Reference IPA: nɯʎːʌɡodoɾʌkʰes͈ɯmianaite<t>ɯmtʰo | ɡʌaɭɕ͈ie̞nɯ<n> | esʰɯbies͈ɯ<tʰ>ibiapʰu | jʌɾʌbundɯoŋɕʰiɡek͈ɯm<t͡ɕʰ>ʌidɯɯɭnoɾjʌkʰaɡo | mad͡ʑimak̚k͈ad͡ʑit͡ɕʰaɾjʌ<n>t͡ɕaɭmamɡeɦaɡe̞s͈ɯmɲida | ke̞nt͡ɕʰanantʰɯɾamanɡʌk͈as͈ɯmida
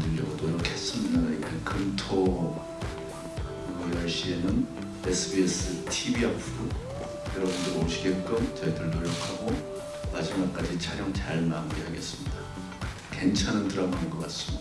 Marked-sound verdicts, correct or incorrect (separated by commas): incorrect, correct, correct, incorrect, incorrect